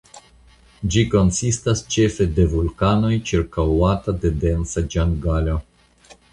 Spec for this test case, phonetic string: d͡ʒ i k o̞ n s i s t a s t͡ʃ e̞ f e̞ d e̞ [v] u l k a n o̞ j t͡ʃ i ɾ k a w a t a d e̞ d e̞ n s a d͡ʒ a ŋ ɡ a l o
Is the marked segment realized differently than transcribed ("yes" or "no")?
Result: no